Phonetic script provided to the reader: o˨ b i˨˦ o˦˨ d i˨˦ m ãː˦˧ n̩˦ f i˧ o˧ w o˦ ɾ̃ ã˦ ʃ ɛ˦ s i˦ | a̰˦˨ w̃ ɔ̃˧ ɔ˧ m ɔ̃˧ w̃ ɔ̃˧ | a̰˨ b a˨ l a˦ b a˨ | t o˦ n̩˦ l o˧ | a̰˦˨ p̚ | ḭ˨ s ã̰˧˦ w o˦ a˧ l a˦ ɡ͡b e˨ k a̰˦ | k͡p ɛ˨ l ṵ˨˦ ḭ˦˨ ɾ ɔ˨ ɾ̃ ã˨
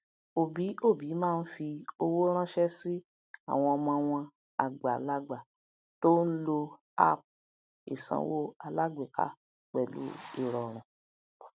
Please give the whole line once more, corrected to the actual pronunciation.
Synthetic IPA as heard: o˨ b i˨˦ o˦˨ b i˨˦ m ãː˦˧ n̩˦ f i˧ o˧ w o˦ ɾ̃ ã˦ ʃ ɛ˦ s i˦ | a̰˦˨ w̃ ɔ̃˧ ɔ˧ m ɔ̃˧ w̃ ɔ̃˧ | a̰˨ ɡ͡b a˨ l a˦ ɡ͡b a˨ | t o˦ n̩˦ l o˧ | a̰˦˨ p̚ | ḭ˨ s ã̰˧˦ w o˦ a˧ l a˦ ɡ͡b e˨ k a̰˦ | k͡p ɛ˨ l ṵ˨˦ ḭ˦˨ ɾ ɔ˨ ɾ̃ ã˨